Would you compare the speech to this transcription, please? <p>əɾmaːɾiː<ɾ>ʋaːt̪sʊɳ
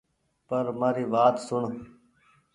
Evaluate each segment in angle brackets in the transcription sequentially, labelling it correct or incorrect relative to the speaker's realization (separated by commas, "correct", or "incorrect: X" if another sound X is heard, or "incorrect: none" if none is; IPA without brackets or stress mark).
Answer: correct, incorrect: none